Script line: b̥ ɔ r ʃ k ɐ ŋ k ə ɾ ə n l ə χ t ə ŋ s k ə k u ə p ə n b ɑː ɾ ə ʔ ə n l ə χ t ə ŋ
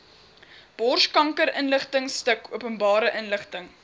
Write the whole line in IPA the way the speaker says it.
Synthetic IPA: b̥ ɔ r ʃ k ɐ ŋ k ə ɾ ə n l ə χ t ə ŋ s t ə k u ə p ə n b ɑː ɾ ə ʔ ə n l ə χ t ə ŋ